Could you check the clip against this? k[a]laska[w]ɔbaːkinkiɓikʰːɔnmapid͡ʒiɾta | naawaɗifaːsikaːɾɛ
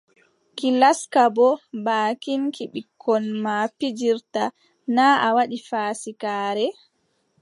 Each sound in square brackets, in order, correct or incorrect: incorrect: i, incorrect: b

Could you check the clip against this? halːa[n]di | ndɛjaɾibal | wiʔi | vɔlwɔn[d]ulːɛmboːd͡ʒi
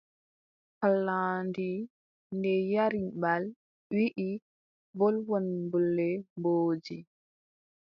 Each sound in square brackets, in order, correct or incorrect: correct, incorrect: b

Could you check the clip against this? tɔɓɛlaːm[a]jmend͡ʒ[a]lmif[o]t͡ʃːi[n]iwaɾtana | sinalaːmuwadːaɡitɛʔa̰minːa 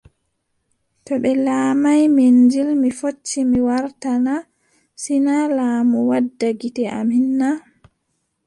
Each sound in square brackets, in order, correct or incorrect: correct, incorrect: i, correct, incorrect: m

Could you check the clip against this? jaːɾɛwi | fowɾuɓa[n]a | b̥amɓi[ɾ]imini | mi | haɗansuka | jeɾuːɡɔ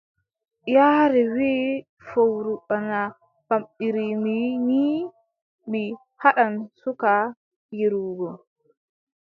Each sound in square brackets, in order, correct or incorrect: correct, correct

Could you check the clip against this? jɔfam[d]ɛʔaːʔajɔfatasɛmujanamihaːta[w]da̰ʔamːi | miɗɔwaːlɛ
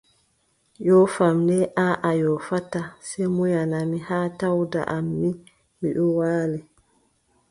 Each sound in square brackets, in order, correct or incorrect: incorrect: n, correct

